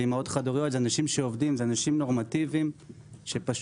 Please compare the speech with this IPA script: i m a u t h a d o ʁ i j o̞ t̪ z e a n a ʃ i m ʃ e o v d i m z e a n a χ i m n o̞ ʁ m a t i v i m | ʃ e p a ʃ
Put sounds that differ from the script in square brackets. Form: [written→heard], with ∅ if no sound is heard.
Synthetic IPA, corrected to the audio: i m a [u→o] t [h→χ] a d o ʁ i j o̞ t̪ z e a n a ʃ i m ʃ e o v d i m z e a n a [χ→ʃ] i m n o̞ ʁ m a t i v i m | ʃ e p a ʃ